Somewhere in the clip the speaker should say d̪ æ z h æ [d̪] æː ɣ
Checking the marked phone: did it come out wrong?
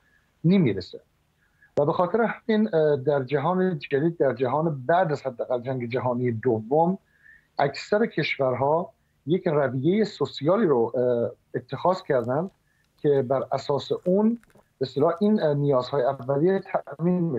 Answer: yes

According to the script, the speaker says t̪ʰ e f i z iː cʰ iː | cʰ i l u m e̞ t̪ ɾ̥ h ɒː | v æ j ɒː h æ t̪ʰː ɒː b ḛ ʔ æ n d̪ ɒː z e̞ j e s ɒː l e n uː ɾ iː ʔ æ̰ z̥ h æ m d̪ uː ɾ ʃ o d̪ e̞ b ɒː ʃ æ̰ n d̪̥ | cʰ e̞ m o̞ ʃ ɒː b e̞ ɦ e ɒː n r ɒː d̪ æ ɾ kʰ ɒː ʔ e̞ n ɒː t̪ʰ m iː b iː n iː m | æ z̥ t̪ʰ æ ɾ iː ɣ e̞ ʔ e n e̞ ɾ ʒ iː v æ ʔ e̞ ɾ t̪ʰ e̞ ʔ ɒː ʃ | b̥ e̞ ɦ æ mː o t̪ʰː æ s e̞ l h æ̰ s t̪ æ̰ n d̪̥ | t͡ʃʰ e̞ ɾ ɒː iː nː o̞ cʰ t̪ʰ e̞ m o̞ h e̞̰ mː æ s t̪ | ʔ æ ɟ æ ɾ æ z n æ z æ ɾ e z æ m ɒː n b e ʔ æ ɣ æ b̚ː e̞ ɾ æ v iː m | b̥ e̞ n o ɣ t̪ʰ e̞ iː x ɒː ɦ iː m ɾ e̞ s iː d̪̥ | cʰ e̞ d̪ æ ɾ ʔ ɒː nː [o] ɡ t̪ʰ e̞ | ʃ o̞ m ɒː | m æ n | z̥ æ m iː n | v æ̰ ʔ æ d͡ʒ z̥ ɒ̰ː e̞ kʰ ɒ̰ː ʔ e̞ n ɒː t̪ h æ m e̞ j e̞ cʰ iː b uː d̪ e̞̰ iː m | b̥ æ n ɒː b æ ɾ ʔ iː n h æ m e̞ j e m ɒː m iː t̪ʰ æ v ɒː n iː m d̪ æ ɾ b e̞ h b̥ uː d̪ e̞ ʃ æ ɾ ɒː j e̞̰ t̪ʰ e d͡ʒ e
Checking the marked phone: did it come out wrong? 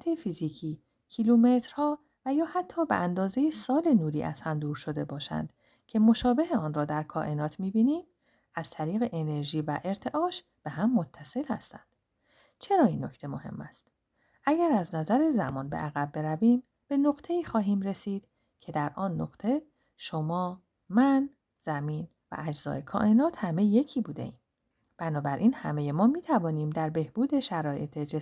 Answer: no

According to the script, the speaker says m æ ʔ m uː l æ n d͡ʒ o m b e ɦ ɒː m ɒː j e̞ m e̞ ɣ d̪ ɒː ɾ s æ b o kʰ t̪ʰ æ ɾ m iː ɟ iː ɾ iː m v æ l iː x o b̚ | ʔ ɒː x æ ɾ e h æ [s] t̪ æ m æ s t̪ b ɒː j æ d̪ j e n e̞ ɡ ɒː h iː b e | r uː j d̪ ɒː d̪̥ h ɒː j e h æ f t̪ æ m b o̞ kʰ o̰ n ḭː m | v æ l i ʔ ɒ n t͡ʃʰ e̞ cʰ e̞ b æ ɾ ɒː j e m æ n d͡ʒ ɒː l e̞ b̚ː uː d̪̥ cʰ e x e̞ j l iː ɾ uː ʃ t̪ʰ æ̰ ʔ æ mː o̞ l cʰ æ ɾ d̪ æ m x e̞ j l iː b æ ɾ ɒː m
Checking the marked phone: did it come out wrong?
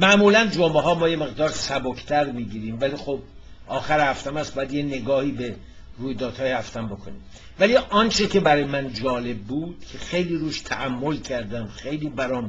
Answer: yes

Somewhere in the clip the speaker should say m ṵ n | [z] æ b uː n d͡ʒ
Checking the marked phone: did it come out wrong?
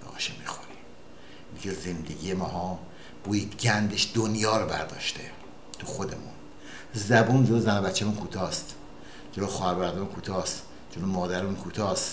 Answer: no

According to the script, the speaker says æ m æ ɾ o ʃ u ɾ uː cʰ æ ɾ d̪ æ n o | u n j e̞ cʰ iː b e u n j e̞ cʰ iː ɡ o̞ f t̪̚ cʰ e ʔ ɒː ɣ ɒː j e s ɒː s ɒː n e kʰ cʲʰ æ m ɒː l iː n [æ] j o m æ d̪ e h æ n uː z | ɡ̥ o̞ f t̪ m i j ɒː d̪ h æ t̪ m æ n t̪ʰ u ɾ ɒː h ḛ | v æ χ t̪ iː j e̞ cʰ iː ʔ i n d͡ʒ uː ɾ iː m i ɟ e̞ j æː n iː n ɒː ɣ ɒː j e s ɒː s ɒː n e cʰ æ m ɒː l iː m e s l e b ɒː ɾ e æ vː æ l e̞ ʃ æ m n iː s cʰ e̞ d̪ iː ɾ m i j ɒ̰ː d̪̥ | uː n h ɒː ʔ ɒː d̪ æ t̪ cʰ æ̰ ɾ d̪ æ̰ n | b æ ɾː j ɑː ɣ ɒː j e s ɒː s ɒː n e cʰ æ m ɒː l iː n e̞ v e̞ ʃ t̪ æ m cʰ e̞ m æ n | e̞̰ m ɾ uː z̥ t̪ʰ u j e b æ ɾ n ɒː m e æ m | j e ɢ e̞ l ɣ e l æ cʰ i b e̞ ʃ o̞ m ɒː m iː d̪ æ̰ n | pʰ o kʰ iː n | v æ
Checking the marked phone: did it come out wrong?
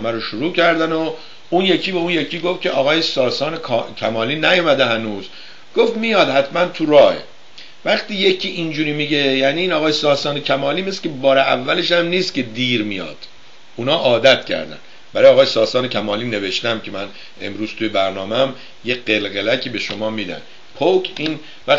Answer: no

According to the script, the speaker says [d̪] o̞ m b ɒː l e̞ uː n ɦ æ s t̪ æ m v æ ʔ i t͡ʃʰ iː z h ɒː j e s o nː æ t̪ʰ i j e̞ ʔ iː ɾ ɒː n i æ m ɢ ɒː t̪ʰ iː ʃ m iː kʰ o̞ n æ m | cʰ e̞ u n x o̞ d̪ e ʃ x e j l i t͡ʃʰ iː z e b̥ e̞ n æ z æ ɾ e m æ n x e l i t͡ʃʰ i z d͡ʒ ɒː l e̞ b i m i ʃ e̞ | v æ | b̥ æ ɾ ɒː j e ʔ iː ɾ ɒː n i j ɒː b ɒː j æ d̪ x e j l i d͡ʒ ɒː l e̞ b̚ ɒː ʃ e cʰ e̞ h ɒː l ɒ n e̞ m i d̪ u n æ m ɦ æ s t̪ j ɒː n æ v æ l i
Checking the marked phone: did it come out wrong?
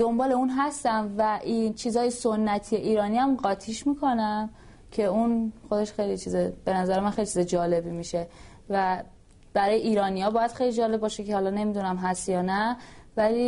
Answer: no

